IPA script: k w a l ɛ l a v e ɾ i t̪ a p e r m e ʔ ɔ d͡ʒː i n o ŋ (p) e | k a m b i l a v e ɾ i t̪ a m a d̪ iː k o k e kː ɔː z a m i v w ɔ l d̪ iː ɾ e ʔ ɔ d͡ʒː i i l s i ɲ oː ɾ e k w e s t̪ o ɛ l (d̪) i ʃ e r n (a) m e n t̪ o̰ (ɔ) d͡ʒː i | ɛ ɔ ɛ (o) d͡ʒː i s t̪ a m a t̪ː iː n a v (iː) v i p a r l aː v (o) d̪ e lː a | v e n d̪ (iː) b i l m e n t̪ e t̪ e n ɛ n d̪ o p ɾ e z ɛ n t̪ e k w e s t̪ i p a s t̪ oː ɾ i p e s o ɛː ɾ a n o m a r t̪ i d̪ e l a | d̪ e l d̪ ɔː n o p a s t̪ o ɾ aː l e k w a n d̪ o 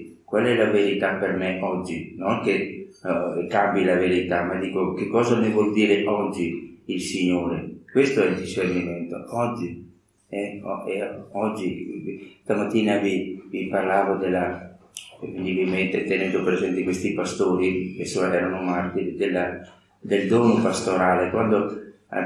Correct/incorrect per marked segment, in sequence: incorrect: k, correct, incorrect: i, correct, incorrect: ɔ, incorrect: i, correct, incorrect: i

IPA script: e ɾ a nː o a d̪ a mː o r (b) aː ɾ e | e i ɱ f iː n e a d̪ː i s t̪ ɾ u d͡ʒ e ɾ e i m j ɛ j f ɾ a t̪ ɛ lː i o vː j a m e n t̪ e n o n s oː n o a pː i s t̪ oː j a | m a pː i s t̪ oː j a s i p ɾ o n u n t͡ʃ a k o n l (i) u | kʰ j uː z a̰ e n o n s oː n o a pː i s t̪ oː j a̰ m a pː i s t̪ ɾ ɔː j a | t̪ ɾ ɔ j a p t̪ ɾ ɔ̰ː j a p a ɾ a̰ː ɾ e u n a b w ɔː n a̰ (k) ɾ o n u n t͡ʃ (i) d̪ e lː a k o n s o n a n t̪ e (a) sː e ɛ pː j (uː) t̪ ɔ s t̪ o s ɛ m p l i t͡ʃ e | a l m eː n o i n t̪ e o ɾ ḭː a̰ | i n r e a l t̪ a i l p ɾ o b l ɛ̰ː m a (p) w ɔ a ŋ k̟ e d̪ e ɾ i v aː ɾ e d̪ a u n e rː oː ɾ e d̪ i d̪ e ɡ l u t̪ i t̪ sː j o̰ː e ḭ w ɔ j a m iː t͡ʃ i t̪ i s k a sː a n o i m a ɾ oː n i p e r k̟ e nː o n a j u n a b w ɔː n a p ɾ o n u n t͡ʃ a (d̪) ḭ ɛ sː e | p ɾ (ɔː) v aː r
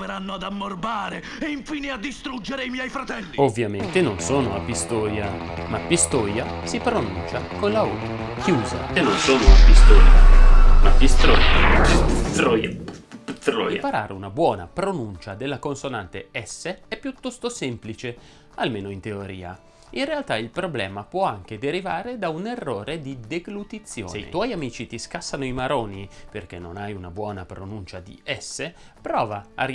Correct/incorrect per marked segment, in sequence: correct, incorrect: a, incorrect: p, incorrect: a, incorrect: ɛ, incorrect: u, correct, correct, correct

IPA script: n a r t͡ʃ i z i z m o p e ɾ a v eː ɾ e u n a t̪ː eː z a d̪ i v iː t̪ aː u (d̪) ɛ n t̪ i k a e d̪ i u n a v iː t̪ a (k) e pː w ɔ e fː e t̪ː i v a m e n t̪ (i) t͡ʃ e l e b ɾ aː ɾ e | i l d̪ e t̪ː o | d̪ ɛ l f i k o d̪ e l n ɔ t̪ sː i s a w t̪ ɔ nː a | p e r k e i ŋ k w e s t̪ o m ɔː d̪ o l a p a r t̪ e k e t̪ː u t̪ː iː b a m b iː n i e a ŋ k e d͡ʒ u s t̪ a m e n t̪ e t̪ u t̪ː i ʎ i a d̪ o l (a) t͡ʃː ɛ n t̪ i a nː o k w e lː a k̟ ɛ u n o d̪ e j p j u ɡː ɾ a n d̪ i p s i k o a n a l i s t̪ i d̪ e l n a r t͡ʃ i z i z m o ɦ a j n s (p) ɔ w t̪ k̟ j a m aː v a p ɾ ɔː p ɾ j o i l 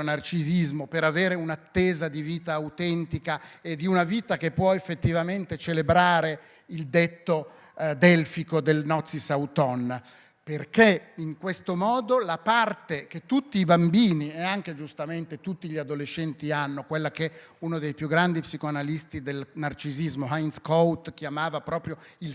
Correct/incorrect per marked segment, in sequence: incorrect: t̪, correct, incorrect: e, incorrect: e, incorrect: k

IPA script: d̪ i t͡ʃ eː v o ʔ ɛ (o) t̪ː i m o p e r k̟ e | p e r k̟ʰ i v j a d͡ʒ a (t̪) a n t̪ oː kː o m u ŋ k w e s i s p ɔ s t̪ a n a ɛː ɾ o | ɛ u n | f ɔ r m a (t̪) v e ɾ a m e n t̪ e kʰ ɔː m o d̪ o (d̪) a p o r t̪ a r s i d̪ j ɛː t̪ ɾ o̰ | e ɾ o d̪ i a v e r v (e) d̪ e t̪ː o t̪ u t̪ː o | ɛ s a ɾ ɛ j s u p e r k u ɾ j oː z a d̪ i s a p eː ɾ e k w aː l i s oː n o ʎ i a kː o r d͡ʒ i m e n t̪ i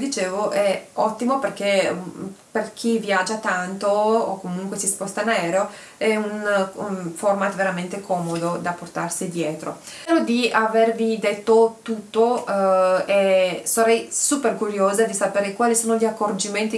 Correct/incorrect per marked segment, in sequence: incorrect: ɔ, correct, correct, correct, incorrect: i

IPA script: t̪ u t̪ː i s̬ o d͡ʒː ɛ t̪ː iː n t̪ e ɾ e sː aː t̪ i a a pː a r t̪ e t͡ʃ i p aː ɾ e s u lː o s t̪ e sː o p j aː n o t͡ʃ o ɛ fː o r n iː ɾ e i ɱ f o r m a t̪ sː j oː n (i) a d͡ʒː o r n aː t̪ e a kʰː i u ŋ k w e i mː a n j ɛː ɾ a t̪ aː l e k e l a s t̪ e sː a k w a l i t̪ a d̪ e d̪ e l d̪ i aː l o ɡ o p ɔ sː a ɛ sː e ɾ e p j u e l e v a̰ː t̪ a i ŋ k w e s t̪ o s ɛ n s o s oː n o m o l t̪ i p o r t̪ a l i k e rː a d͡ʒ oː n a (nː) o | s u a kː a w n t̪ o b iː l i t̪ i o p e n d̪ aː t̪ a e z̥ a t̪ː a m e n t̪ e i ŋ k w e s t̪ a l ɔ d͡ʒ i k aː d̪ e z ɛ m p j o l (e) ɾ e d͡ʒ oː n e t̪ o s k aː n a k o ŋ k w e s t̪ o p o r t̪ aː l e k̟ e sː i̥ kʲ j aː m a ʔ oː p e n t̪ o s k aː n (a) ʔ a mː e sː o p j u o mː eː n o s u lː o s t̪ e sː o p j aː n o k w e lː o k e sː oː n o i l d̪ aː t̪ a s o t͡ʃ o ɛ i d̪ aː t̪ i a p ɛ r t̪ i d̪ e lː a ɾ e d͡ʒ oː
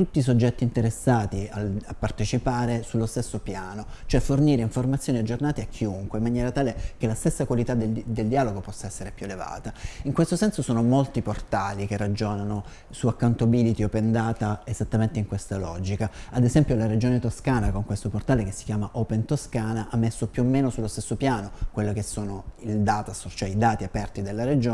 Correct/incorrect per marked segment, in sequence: correct, incorrect: n, incorrect: a, correct

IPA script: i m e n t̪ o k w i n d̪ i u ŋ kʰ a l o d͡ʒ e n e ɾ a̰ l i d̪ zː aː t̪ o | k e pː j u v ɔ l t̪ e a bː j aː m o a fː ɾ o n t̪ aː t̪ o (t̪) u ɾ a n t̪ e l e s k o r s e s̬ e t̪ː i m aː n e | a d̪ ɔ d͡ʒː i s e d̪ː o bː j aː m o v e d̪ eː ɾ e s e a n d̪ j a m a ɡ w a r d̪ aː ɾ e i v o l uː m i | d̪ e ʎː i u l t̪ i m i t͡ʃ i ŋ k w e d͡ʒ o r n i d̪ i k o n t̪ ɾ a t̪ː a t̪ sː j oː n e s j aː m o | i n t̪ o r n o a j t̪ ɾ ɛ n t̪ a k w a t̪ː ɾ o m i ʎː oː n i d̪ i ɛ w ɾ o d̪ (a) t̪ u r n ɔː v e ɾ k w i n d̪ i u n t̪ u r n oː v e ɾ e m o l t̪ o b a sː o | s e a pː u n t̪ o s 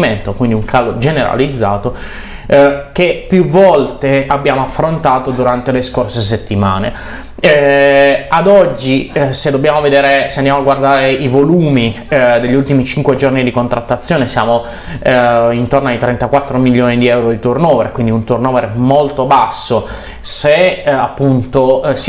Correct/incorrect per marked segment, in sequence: incorrect: d̪, incorrect: i

